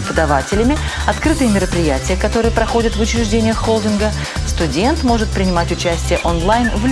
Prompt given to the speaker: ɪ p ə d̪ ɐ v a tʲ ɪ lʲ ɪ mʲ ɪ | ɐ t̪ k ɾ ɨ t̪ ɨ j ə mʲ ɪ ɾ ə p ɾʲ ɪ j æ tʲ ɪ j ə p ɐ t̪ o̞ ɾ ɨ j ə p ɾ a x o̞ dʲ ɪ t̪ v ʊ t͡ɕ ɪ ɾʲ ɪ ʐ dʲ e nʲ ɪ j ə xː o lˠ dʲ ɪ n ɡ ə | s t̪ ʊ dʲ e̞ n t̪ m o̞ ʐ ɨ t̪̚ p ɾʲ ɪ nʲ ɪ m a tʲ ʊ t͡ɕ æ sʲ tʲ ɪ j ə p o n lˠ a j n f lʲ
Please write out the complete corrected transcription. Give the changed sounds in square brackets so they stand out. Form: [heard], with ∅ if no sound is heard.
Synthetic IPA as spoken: ɪ p ə d̪ ɐ v a tʲ ɪ lʲ ɪ mʲ ɪ | ɐ t̪ k ɾ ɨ t̪ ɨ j ə mʲ ɪ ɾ ə p ɾʲ ɪ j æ tʲ ɪ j ə [k] ɐ t̪ o̞ ɾ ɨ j ə p ɾ [ɐ] x o̞ dʲ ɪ t̪ v ʊ t͡ɕ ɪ ɾʲ ɪ ʐ dʲ e nʲ ɪ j ə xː o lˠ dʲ ɪ n ɡ ə | s t̪ ʊ dʲ e̞ n t̪ m o̞ ʐ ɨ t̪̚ p ɾʲ ɪ nʲ ɪ m a tʲ ʊ t͡ɕ æ sʲ tʲ ɪ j ə [ʔ] o n lˠ a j n [v] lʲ

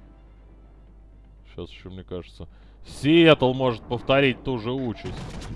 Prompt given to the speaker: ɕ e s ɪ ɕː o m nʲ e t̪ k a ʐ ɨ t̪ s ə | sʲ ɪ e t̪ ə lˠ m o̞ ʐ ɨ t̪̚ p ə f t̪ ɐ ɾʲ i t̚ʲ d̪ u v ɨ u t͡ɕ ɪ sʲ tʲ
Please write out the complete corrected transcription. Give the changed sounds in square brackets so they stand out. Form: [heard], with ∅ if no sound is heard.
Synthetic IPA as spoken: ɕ [a] s ɪ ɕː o m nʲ e [∅] k a ʐ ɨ t̪ s ə | sʲ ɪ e t̪ ə lˠ m o̞ ʐ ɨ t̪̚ p ə f t̪ ɐ ɾʲ i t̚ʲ [t̪] u [ʐ] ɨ u t͡ɕ ɪ sʲ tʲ

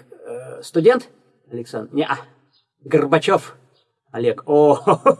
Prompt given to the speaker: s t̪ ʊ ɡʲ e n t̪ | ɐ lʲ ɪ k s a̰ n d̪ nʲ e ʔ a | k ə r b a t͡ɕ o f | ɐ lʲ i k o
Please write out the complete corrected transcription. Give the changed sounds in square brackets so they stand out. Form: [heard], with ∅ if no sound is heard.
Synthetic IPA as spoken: s t̪ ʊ [dʲ] e n t̪ | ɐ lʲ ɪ k s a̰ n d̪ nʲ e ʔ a | [ɡ] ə r b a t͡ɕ o f | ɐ lʲ [e] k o

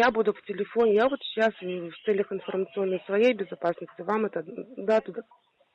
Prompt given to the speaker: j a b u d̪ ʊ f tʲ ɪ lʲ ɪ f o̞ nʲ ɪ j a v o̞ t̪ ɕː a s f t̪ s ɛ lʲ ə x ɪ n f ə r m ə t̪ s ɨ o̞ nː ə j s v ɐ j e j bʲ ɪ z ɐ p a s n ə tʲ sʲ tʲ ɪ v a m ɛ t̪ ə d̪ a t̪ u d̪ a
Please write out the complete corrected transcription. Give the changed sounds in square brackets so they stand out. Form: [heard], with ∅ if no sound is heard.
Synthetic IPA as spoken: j a b u d̪ ʊ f tʲ ɪ lʲ ɪ f o̞ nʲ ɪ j a v o̞ t̪ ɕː a s f t̪ s ɛ lʲ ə x ɪ n f ə r m ə t̪ s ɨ o̞ nː ə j s v ɐ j e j bʲ ɪ z ɐ p a s n ə [∅] sʲ tʲ ɪ v a m ɛ t̪ ə d̪ a t̪ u d̪ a

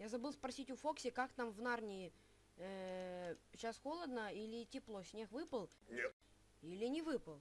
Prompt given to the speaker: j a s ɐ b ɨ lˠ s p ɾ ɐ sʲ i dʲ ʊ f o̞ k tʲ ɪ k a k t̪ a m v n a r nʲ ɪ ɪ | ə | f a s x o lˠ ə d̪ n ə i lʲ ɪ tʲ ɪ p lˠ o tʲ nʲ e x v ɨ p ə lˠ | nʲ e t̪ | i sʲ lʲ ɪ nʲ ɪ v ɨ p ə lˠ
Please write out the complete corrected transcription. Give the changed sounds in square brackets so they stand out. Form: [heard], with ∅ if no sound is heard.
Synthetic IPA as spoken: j a [z] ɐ b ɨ lˠ s p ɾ ɐ sʲ i [tʲ] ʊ f o̞ k [sʲ] ɪ k a k t̪ a m v n a r nʲ ɪ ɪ | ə | [ɕ] a s x o lˠ ə d̪ n ə i lʲ ɪ tʲ ɪ p lˠ o [sʲ] nʲ e x v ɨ p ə lˠ | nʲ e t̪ | i [∅] lʲ ɪ nʲ ɪ v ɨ p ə lˠ

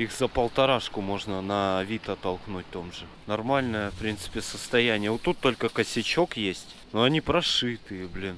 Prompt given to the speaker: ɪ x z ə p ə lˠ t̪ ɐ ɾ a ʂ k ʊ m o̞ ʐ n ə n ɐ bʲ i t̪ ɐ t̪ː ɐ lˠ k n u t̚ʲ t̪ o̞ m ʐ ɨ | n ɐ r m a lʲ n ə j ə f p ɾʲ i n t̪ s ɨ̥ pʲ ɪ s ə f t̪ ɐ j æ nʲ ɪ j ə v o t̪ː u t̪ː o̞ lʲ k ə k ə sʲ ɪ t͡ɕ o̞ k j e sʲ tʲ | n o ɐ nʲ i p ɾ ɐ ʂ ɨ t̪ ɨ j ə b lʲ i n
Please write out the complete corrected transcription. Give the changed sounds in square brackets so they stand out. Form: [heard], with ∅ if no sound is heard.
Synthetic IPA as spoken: [i] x z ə p ə lˠ t̪ ɐ ɾ a ʂ k ʊ m o̞ ʐ n ə n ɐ [vʲ] i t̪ ɐ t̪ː ɐ lˠ k n u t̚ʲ t̪ o̞ m ʐ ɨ | n ɐ r m a lʲ n ə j ə f p ɾʲ i n t̪ s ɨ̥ pʲ ɪ s ə [s] t̪ ɐ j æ nʲ ɪ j ə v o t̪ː u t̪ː o̞ lʲ k ə k ə sʲ ɪ t͡ɕ o̞ k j e sʲ tʲ | n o ɐ nʲ i p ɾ ɐ ʂ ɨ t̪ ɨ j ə b lʲ i n

